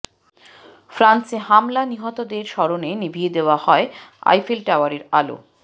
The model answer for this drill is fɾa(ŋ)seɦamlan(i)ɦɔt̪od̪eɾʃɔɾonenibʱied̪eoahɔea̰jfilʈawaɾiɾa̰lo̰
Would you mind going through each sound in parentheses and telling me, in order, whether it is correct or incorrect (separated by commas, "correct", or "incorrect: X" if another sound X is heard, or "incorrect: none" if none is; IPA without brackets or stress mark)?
incorrect: n, correct